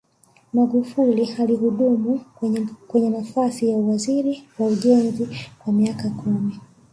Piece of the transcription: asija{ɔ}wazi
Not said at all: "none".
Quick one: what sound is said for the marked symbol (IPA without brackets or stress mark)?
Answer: u